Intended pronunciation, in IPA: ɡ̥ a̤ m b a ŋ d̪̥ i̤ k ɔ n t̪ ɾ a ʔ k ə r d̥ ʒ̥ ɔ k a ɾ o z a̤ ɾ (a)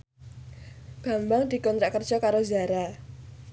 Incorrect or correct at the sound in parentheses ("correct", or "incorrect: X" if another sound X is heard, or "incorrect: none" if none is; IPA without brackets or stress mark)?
correct